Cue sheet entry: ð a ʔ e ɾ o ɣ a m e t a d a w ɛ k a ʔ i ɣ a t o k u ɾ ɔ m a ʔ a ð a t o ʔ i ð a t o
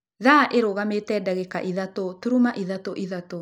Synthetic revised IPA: ð a ʔ e ɾ o ɣ a m e t ɛ d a ɣ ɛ k a ʔ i ð a t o t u ɾ u m a ʔ i ð a t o ʔ i ð a t o